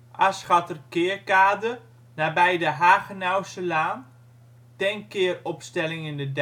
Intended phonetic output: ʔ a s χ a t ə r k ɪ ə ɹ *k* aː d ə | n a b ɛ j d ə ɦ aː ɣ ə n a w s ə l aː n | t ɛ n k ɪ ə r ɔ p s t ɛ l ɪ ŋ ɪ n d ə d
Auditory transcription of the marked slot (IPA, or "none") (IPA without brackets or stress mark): k